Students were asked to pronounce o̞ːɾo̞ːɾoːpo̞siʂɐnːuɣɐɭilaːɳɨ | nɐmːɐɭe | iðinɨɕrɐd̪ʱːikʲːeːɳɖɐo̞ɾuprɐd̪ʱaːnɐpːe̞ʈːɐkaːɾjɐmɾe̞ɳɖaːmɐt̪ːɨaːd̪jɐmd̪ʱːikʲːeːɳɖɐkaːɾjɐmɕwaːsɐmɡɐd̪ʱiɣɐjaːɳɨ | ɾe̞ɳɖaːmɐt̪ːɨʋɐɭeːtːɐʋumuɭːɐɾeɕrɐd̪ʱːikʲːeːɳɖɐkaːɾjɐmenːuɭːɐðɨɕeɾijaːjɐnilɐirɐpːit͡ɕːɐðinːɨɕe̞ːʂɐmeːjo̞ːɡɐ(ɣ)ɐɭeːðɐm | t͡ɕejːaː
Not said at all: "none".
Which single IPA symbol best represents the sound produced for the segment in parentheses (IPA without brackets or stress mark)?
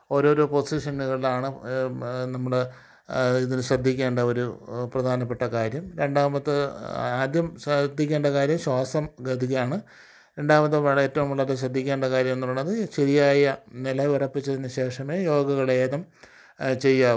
ɣ